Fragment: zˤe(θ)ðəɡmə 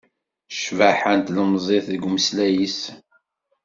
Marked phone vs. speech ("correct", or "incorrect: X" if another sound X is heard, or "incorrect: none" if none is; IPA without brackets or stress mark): correct